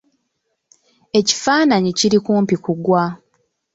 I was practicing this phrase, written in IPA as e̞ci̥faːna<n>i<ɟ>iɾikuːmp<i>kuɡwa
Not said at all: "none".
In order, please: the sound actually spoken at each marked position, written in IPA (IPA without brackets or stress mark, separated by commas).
ɲ, c, i